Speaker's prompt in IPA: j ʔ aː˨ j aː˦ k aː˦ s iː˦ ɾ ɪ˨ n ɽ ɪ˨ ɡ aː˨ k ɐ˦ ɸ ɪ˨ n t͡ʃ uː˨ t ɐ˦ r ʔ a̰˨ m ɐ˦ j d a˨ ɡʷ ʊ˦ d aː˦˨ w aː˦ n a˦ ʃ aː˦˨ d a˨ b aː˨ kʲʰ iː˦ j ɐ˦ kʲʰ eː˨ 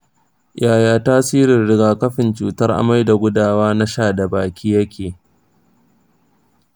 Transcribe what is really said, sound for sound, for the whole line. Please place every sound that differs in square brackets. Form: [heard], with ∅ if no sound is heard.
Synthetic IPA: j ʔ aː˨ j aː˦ [t] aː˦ s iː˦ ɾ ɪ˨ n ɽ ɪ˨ ɡ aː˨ k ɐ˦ ɸ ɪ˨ n t͡ʃ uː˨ t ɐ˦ r ʔ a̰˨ m [a˦] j d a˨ ɡʷ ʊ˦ d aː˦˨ w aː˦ n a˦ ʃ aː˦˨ d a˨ b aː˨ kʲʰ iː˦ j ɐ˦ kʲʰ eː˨